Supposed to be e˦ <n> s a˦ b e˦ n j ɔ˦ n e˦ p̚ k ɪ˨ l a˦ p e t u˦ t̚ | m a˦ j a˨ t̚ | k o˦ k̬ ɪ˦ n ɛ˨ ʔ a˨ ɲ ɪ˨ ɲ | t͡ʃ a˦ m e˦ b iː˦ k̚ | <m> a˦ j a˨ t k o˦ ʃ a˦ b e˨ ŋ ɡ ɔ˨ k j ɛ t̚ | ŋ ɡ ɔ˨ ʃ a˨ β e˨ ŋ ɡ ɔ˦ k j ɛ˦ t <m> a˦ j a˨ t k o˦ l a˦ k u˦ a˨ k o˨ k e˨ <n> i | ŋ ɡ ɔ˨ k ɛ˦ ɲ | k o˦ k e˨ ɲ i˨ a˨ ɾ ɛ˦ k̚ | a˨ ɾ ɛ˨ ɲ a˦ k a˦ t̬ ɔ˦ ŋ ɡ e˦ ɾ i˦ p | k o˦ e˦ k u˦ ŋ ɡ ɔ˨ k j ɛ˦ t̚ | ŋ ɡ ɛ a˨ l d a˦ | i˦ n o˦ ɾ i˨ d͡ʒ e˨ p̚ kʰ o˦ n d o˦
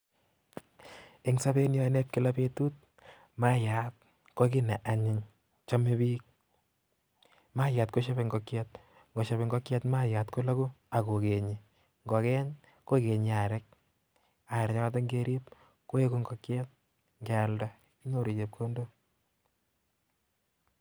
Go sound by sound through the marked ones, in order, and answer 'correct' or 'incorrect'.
incorrect: ŋ, correct, correct, incorrect: ɲ

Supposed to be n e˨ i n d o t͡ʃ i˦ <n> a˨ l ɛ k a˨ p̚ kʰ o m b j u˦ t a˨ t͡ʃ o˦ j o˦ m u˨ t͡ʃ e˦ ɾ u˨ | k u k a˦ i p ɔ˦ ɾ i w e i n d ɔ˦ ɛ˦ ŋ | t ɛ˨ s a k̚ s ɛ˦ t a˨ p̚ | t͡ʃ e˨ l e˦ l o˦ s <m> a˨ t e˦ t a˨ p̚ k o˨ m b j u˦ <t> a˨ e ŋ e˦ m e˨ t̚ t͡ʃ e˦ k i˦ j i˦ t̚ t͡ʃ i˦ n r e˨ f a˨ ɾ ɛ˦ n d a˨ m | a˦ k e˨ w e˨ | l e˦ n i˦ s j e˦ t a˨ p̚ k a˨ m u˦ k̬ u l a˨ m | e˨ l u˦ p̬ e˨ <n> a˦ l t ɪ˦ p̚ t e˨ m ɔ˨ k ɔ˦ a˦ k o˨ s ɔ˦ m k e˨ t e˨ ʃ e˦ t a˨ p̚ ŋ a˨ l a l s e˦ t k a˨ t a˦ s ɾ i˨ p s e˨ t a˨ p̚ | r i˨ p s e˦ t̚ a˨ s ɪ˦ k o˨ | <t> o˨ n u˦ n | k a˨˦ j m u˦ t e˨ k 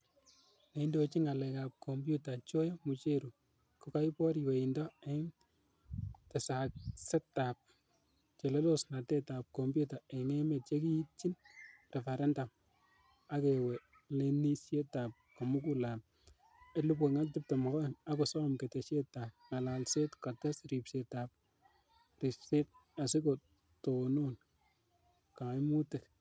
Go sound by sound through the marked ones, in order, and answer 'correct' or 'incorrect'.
incorrect: ŋ, incorrect: n, correct, incorrect: ŋ, correct

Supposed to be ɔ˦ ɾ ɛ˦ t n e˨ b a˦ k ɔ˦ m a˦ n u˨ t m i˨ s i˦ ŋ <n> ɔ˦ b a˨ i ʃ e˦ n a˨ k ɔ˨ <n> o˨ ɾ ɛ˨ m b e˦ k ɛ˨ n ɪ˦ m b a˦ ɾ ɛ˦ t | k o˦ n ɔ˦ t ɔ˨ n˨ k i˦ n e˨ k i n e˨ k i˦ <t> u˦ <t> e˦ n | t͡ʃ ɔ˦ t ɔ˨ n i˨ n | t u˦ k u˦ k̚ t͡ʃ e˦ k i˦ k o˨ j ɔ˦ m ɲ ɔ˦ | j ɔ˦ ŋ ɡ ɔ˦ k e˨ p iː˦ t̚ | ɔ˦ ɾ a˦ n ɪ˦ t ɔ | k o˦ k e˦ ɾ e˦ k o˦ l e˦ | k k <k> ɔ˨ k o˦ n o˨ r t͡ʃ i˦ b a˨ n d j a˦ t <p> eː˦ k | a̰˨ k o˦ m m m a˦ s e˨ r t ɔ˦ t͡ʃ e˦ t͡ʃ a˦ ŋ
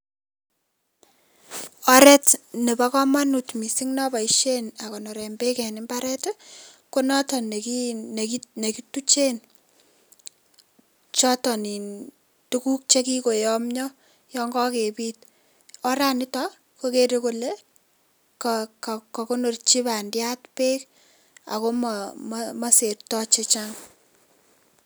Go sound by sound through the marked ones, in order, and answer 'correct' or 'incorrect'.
correct, correct, correct, incorrect: t͡ʃ, correct, correct

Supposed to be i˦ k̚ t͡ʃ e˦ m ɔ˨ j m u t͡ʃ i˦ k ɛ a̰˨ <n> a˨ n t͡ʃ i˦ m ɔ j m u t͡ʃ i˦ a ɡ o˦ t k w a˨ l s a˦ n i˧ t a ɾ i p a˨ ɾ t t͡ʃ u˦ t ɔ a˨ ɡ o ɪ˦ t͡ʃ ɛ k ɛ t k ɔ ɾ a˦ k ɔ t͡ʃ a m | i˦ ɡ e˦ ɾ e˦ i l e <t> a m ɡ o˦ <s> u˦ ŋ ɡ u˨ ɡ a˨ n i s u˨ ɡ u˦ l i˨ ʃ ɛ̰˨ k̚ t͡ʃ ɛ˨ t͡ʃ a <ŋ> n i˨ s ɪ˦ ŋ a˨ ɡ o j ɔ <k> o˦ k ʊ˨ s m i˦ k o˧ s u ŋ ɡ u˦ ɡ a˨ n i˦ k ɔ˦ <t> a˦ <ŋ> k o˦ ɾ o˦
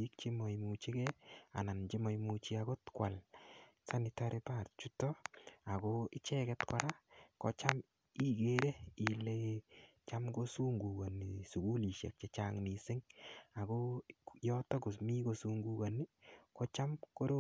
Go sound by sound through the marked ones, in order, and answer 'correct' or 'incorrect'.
correct, incorrect: t͡ʃ, correct, correct, incorrect: t, incorrect: t͡ʃ, incorrect: m

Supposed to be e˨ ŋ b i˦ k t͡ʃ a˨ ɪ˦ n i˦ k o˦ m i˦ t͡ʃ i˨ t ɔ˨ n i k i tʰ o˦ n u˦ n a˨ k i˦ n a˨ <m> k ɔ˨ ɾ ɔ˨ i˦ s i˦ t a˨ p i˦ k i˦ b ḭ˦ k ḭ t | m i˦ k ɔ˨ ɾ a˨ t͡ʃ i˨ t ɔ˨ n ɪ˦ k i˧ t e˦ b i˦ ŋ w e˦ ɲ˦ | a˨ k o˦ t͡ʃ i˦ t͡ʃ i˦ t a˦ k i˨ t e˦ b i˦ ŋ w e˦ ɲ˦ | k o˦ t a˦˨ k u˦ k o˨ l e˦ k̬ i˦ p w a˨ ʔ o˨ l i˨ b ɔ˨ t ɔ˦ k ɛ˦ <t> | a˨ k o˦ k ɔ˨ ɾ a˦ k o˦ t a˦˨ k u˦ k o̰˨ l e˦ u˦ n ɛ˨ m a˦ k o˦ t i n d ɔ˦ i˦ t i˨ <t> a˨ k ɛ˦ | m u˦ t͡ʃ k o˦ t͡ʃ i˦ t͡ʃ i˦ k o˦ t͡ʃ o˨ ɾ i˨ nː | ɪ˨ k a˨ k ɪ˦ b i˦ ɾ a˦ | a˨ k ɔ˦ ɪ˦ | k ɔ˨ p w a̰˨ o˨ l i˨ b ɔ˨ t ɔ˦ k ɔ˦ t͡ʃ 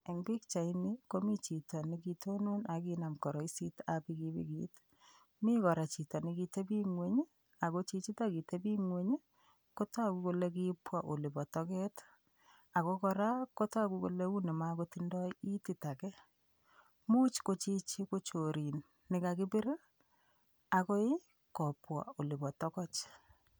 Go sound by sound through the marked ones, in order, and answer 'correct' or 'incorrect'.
correct, correct, correct

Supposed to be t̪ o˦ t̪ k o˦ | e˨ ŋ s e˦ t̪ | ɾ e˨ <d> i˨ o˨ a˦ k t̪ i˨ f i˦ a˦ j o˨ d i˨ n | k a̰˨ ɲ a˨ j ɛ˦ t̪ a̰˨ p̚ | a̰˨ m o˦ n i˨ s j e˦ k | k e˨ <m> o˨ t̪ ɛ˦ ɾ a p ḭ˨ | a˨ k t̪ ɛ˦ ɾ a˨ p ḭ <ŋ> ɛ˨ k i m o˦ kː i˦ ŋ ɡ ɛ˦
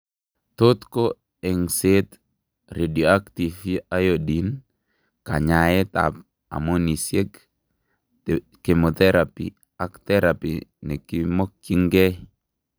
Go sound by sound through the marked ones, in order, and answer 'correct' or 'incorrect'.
correct, correct, incorrect: n

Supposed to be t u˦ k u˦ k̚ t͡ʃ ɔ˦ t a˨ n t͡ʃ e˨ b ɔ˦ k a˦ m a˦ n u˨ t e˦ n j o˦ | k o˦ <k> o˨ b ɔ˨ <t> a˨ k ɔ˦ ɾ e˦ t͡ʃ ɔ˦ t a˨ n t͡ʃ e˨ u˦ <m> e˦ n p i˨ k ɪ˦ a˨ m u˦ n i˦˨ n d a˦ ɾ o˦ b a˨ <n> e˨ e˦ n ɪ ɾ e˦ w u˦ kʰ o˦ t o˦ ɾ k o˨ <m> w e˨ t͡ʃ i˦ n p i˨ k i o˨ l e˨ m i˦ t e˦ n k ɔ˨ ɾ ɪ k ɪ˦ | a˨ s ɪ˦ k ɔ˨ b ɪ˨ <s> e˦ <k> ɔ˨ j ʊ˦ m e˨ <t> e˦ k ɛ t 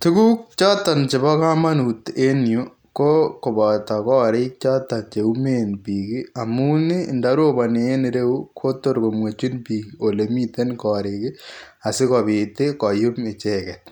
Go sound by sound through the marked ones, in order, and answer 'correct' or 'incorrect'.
correct, correct, correct, correct, correct, incorrect: t, correct, incorrect: t͡ʃ

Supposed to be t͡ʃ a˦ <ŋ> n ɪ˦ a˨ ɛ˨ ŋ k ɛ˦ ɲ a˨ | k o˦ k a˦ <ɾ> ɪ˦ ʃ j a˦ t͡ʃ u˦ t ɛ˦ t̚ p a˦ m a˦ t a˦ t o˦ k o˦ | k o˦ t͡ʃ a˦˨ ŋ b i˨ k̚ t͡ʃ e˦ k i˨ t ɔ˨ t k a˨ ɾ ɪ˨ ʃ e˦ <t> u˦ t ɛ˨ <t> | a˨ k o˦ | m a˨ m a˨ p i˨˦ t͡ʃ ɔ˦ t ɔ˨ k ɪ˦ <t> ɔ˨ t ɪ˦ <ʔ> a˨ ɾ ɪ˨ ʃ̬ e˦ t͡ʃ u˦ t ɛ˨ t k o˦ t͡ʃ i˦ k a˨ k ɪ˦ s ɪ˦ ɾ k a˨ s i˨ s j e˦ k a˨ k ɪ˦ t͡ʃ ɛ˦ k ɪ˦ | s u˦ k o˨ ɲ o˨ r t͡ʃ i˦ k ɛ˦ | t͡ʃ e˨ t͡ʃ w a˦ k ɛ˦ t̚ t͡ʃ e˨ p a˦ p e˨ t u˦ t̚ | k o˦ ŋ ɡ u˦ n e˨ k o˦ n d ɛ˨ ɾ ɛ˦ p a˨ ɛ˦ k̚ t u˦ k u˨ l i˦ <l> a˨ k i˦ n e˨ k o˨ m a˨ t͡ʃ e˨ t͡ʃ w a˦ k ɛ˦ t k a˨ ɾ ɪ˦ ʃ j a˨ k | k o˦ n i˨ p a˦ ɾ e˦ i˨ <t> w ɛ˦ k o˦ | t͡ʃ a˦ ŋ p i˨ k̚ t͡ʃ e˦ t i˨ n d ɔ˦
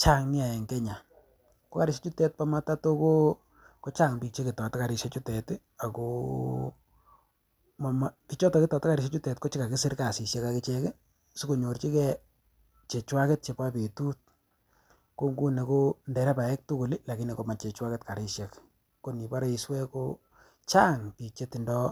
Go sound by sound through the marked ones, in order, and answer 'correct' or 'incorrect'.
correct, correct, incorrect: t͡ʃ, correct, correct, incorrect: k, correct, incorrect: s

